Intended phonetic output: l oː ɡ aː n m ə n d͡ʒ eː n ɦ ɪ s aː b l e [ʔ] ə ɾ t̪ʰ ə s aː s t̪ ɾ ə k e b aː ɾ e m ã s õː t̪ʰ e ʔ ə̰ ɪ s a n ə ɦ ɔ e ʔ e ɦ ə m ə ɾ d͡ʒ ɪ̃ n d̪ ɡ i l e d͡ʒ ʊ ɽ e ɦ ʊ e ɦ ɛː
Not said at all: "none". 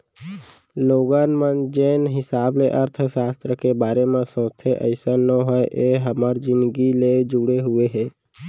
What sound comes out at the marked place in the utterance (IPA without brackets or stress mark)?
ʔ